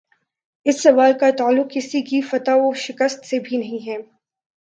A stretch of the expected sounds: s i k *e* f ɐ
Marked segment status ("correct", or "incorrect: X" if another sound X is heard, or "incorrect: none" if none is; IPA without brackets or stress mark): incorrect: i